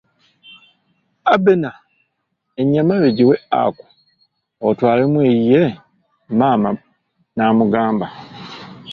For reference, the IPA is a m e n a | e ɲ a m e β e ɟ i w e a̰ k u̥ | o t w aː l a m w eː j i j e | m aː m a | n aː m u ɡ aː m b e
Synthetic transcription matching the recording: a b e n a | e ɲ a m a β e ɟ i w e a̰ k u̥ | o t w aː l e m w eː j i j e | m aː m a | n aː m u ɡ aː m b a